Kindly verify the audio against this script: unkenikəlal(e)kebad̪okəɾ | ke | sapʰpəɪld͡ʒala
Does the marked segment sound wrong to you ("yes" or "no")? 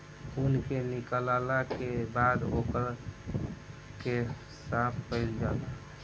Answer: yes